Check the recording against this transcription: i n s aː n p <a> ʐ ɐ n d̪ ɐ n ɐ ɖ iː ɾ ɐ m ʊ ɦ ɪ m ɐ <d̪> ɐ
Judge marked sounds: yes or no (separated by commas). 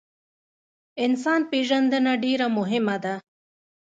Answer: no, yes